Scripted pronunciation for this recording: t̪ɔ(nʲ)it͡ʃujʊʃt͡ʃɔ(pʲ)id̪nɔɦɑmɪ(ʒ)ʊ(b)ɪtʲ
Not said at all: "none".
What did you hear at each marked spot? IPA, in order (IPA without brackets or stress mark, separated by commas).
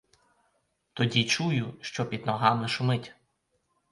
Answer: dʲ, pʲ, ʃ, m